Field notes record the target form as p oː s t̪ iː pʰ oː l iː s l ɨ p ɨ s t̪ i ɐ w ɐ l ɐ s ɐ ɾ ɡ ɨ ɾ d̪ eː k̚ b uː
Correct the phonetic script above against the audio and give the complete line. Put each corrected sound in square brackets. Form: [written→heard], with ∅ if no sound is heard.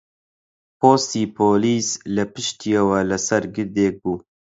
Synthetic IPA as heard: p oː s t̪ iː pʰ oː l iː s l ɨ p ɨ [s→ʃ] t̪ i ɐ w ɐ l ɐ s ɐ ɾ ɡ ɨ ɾ d̪ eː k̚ b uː